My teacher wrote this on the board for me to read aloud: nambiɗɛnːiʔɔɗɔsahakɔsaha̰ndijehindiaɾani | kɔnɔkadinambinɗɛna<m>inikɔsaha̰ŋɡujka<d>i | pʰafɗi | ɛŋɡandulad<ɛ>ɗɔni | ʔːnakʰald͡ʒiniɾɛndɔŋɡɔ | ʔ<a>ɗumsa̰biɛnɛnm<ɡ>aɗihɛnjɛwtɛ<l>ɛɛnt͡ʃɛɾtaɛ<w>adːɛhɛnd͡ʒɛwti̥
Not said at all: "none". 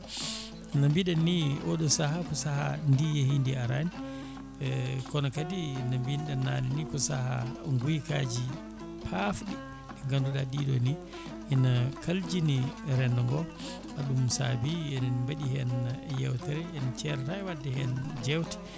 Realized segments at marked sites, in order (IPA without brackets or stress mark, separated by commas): n, d͡ʒ, i, a, b, ɾ, w